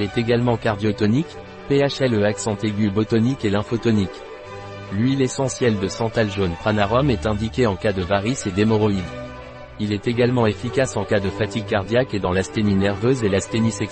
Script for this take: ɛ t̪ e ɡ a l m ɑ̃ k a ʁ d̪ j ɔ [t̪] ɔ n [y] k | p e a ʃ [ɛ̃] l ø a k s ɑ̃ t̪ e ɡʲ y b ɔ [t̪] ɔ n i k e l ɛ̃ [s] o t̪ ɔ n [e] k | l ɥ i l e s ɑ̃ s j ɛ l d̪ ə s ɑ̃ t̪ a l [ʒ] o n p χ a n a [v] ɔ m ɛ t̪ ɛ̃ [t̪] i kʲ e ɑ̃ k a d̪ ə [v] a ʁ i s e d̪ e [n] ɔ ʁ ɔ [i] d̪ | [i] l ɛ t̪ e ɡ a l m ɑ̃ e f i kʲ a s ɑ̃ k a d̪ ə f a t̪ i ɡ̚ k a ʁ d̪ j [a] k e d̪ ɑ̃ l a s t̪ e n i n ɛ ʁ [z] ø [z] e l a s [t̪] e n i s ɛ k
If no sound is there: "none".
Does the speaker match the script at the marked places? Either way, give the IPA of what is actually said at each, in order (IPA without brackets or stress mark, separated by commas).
t̪, i, ɛ, t̪, f, i, ʒ, ʁ, d̪, v, m, i, i, a, v, z, t̪